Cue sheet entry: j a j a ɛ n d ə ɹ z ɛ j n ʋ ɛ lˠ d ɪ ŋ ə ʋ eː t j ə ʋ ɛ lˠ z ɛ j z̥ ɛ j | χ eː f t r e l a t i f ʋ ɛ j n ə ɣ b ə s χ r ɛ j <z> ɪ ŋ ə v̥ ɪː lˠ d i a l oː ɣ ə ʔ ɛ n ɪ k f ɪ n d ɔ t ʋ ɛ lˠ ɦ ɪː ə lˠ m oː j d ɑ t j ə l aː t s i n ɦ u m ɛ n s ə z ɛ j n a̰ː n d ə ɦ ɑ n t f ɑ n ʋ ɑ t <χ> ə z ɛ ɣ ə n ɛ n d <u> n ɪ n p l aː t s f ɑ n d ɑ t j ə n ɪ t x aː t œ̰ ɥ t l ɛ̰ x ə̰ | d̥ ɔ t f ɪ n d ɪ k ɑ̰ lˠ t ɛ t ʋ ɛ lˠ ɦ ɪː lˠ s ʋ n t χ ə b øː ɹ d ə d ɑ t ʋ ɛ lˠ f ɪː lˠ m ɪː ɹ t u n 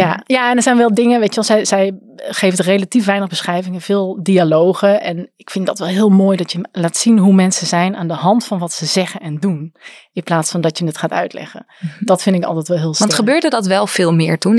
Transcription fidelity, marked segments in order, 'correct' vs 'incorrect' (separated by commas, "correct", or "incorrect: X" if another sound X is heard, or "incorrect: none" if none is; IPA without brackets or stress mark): incorrect: v, incorrect: s, correct